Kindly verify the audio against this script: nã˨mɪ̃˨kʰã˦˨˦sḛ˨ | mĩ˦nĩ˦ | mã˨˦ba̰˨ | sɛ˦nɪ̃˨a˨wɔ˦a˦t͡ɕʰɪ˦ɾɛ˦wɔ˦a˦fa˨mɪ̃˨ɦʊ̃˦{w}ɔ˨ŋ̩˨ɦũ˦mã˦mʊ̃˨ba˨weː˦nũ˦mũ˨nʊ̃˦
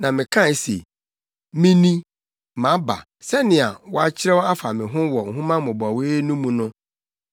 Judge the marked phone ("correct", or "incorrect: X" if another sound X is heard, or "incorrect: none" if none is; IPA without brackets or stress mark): correct